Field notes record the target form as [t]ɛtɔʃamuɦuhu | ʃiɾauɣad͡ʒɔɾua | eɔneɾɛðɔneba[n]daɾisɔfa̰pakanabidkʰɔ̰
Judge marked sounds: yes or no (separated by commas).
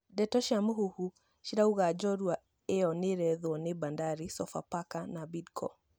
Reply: no, yes